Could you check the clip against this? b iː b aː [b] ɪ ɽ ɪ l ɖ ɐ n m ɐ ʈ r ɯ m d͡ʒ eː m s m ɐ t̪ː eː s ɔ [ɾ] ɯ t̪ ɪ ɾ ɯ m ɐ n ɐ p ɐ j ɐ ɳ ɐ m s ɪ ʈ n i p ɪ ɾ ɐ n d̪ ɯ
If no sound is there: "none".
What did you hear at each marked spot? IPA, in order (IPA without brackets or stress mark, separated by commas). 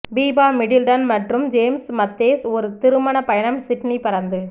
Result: m, ɾ